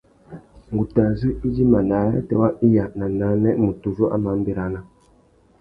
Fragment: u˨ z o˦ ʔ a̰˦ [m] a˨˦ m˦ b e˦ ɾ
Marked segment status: correct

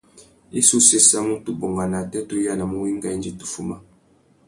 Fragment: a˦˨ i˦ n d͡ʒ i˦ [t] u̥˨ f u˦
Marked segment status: correct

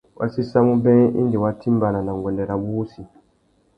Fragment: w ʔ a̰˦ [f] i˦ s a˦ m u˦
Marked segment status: incorrect: s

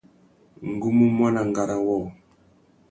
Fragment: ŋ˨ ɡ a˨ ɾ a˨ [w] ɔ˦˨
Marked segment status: correct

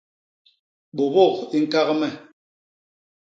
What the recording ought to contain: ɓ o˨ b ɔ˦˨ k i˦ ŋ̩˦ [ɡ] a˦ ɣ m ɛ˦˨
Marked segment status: incorrect: k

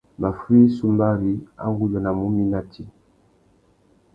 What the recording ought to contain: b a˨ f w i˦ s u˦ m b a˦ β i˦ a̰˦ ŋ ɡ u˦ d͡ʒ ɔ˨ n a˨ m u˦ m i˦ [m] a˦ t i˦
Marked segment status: incorrect: n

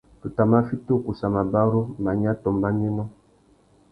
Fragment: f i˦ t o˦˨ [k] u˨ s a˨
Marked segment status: correct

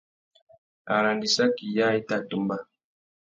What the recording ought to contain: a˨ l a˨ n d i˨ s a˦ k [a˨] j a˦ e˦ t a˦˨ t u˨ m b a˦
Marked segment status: incorrect: i˨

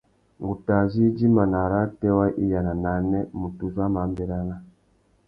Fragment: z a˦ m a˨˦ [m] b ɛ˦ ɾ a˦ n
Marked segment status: correct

